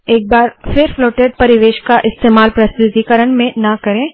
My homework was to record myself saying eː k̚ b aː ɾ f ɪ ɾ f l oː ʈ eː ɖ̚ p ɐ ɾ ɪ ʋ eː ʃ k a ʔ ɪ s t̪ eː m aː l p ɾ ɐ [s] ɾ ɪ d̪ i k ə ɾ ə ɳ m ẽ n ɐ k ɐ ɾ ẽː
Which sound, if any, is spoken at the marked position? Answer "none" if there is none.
s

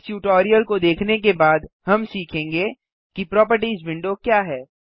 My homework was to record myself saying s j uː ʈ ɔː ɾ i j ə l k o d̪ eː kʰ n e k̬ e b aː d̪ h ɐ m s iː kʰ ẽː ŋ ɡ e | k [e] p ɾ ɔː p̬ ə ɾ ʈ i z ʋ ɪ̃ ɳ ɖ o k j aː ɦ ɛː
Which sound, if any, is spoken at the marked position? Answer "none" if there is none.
i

